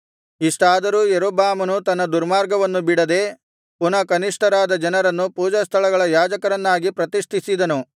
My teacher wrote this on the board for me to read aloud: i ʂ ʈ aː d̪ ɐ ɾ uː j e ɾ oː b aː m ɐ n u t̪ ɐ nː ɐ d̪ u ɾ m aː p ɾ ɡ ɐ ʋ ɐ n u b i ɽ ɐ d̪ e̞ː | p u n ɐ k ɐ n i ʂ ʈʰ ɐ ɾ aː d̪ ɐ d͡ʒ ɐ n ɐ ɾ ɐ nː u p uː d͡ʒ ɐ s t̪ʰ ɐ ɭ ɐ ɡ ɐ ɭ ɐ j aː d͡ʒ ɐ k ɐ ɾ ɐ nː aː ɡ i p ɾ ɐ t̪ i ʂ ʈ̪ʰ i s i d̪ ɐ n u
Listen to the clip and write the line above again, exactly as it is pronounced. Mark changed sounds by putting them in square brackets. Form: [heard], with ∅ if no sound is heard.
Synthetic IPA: i ʂ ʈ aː d̪ ɐ ɾ uː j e ɾ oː b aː m ɐ n u t̪ ɐ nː ɐ d̪ u ɾ m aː [∅] ɾ ɡ ɐ ʋ ɐ [nː] u b i ɽ ɐ d̪ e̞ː | p u n ɐ k ɐ n i ʂ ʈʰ ɐ ɾ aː d̪ ɐ d͡ʒ ɐ n ɐ ɾ ɐ nː u p uː d͡ʒ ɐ s t̪ʰ ɐ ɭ ɐ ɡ ɐ ɭ ɐ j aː d͡ʒ ɐ k ɐ ɾ ɐ nː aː ɡ i p ɾ ɐ t̪ i ʂ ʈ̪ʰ i s i d̪ ɐ n u